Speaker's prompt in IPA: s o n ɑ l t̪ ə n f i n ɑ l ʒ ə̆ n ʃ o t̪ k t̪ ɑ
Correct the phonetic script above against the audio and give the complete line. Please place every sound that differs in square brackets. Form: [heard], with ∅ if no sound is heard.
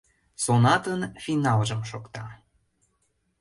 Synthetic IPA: s o n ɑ [∅] t̪ ə n f i n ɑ l ʒ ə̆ [m] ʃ o [∅] k t̪ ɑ